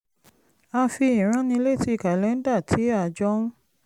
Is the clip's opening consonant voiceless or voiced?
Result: voiceless